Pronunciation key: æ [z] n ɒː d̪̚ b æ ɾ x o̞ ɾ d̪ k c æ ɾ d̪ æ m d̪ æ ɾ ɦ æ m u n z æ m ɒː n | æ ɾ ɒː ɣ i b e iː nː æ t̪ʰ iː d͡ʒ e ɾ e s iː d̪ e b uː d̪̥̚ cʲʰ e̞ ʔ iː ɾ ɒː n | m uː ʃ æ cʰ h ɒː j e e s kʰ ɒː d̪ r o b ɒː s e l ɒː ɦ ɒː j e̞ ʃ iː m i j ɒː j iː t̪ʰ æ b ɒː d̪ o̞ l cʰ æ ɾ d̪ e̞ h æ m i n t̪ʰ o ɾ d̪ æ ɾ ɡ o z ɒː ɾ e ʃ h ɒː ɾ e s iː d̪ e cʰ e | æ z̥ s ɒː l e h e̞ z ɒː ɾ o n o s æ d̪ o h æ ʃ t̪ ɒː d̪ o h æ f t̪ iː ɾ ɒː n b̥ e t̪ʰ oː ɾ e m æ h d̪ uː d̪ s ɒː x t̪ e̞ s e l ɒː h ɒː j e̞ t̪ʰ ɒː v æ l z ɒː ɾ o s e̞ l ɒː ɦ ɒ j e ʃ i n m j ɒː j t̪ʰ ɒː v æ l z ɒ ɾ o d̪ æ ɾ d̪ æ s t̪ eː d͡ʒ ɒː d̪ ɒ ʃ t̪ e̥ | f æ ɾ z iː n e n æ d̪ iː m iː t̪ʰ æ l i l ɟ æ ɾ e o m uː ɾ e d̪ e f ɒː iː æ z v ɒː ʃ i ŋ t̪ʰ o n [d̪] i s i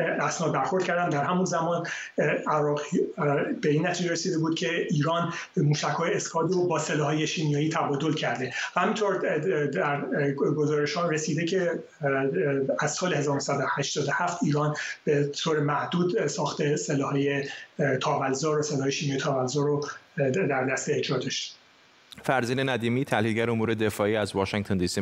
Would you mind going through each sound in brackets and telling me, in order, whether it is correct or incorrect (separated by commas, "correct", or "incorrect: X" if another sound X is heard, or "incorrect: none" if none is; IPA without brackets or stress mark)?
incorrect: s, correct